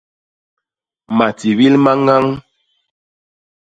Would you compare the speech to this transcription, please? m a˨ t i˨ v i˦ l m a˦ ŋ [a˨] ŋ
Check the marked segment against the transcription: incorrect: a˦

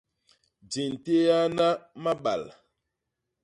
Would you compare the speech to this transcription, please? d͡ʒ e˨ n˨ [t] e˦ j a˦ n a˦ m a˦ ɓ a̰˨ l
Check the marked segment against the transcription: correct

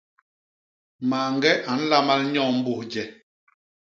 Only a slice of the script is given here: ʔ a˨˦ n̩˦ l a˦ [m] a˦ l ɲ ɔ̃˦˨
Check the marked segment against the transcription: correct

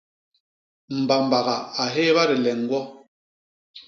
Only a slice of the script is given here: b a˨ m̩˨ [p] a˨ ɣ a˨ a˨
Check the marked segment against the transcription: incorrect: b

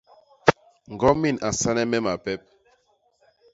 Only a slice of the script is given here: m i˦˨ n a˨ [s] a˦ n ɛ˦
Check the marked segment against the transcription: correct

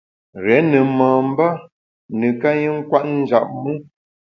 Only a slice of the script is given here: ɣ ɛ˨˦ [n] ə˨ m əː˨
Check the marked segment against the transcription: correct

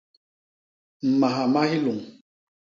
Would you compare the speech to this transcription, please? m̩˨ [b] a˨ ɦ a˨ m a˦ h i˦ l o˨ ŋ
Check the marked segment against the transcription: incorrect: m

